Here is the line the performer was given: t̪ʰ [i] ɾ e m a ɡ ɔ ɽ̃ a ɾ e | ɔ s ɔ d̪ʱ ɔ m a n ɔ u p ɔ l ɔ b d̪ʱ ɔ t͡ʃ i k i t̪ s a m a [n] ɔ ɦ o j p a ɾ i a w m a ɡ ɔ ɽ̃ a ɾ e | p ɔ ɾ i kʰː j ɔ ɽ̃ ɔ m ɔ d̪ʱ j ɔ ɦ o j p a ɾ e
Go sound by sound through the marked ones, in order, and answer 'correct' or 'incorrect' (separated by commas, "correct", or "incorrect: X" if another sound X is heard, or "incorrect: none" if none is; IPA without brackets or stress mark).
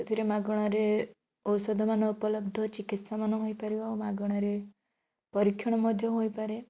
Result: correct, correct